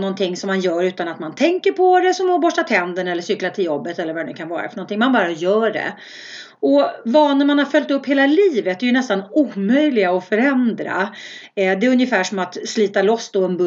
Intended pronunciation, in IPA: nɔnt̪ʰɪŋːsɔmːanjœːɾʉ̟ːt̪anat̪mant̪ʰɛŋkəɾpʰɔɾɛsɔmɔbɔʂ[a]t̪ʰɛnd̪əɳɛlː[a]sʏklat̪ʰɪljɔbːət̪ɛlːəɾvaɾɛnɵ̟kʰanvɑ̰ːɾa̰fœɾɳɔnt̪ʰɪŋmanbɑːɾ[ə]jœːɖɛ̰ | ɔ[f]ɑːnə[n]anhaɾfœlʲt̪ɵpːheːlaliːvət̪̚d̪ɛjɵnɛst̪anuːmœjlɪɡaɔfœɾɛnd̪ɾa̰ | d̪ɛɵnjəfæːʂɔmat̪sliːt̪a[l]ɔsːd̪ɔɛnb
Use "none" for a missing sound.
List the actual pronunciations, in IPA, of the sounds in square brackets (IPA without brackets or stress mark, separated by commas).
a, ə, a, v, m, l